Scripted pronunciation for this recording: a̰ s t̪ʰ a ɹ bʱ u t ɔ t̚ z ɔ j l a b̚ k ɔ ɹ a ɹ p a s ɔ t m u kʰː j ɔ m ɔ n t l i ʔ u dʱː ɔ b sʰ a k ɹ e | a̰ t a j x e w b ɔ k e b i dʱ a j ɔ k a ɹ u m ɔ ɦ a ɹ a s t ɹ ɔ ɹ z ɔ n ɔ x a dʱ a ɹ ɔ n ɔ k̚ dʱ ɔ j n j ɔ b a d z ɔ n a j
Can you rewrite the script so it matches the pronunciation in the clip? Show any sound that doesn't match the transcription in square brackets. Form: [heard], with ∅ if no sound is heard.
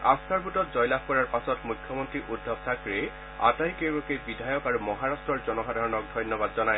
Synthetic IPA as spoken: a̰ s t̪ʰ a ɹ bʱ u t ɔ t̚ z ɔ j l a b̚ k ɔ ɹ a ɹ p a s ɔ t m u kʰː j ɔ m ɔ n t [ɹ] i ʔ u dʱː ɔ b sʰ a k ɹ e | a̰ t a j [k] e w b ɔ k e b i dʱ a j ɔ k a ɹ u m ɔ ɦ a ɹ a s t ɹ ɔ ɹ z ɔ n ɔ x a dʱ a ɹ ɔ n ɔ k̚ dʱ ɔ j n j ɔ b a d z ɔ n a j